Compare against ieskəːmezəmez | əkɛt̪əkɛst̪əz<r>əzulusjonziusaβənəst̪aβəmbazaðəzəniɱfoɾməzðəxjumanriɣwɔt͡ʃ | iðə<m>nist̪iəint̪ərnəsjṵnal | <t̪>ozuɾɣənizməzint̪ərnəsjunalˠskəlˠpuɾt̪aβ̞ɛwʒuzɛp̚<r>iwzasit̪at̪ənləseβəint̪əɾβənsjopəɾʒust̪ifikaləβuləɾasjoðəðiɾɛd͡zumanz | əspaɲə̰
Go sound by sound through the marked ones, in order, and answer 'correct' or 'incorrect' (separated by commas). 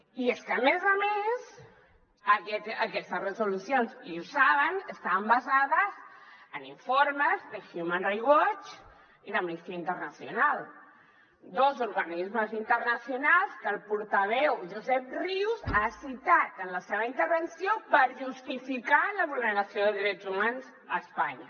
correct, correct, incorrect, correct